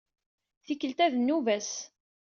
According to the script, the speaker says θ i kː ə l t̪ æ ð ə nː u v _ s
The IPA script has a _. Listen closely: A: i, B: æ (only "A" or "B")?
B